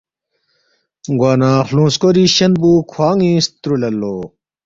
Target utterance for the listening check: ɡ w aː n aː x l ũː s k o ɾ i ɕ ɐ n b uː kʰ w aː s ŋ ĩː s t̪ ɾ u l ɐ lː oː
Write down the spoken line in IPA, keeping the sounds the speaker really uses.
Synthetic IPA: ɡ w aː n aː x l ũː s k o ɾ i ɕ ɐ n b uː kʰ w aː ŋ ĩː s t̪ ɾ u l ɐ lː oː